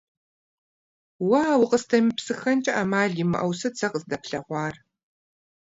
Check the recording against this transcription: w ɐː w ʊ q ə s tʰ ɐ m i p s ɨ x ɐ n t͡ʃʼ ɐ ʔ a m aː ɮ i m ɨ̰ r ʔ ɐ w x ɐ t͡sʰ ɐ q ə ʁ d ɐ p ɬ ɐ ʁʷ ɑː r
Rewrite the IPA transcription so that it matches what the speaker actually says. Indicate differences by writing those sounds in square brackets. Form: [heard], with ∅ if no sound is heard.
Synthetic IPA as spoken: w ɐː w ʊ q ə s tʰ ɐ m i p s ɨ x ɐ n t͡ʃʼ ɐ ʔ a m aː ɮ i m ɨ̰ [∅] ʔ ɐ w [s] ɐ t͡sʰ ɐ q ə [z] d ɐ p ɬ ɐ ʁʷ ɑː r